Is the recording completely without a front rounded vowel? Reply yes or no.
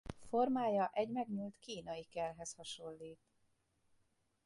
yes